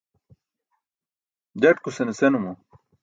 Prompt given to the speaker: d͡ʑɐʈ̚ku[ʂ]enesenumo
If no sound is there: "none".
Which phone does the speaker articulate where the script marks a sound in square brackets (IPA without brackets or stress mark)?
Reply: s